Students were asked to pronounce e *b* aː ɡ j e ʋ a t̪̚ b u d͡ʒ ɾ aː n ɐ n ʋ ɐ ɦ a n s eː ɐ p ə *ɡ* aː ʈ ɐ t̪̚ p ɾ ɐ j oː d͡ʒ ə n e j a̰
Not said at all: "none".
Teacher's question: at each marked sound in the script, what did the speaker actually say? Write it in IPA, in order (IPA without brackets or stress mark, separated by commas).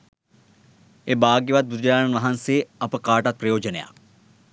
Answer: b, k